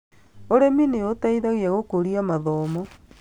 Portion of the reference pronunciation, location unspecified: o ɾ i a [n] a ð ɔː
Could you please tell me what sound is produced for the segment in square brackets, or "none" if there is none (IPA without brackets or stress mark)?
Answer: m